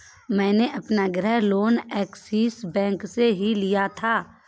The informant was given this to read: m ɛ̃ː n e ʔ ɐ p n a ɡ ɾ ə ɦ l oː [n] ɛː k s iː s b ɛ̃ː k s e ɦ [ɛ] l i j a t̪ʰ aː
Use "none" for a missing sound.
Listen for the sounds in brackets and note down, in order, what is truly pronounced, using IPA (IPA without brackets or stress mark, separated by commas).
n, i